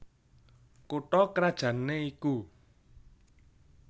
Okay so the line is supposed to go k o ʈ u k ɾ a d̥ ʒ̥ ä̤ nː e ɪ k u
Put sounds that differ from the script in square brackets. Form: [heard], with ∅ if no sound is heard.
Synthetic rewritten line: k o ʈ [ɔ] k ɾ a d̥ ʒ̥ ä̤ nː e [i] k u